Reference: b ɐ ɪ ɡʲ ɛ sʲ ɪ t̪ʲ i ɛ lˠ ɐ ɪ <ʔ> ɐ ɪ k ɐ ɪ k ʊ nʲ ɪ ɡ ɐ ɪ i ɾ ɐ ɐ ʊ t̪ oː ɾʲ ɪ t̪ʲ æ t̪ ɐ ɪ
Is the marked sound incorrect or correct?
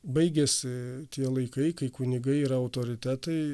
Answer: incorrect